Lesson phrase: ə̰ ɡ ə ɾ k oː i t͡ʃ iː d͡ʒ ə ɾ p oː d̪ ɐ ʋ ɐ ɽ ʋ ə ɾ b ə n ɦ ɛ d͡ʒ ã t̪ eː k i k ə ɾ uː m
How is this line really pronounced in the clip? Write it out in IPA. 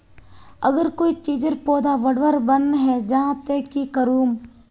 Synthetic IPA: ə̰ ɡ ə ɾ k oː i t͡ʃ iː d͡ʒ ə ɾ p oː d̪ a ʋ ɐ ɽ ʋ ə ɾ b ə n ɦ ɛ d͡ʒ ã t̪ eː k i k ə ɾ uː m